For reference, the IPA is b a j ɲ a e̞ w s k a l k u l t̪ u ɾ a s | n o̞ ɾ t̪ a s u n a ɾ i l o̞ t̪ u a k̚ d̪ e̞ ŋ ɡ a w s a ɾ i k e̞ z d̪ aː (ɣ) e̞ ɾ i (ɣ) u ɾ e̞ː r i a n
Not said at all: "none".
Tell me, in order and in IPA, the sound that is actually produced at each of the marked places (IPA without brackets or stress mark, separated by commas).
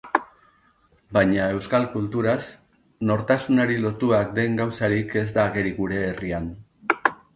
ɣ, ɣ